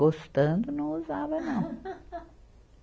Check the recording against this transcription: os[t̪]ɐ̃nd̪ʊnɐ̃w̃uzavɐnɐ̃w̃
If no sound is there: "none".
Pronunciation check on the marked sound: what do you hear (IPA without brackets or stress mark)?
t̪